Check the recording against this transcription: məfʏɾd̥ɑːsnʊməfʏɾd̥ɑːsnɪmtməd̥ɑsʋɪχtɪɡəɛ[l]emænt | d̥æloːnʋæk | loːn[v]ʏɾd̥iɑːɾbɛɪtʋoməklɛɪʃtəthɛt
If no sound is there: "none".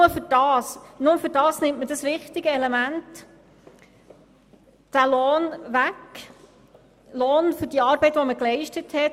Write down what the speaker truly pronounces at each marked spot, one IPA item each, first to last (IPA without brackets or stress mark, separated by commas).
l, f